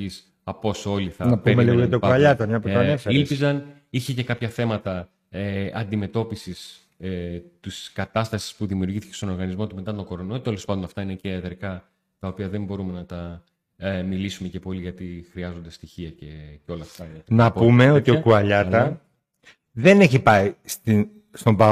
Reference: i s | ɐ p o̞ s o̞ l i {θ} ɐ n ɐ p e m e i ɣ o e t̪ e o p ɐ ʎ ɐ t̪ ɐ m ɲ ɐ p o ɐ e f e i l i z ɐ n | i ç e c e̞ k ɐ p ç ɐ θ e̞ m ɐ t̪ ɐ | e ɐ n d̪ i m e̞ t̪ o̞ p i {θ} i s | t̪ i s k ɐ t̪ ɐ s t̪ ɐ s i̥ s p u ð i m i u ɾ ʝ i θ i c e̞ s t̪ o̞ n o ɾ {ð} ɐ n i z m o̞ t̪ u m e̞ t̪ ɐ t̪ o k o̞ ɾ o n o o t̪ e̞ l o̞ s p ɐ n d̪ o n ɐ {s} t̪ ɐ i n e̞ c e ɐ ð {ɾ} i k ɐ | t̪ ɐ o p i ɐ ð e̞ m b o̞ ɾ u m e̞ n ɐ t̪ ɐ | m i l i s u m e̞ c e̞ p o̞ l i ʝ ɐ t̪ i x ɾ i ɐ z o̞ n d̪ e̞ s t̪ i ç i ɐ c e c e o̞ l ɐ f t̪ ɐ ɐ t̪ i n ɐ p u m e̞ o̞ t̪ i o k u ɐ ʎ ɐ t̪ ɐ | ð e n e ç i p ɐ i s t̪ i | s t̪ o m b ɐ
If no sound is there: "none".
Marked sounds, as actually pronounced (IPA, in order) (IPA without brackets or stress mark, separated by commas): θ, s, ɣ, f, ɾ